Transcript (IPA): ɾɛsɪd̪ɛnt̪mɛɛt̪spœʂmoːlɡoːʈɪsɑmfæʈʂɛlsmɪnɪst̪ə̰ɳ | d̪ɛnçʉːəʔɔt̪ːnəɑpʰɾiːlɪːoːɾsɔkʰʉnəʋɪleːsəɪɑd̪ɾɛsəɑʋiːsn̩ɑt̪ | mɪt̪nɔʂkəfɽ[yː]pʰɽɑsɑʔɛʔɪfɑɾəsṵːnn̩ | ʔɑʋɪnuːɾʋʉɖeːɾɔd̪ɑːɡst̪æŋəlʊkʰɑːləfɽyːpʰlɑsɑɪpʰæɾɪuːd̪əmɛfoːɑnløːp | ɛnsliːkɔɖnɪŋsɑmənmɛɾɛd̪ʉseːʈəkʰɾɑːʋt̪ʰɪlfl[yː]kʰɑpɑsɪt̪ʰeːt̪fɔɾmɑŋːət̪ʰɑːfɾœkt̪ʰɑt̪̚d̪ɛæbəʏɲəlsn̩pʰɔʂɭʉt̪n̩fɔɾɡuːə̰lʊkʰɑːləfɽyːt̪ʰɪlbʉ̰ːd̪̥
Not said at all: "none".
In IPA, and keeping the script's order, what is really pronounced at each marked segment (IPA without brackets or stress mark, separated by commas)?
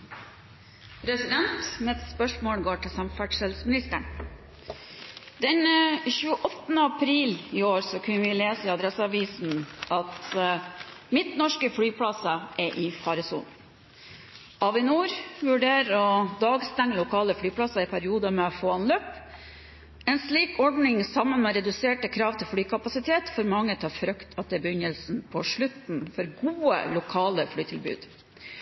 yː, yː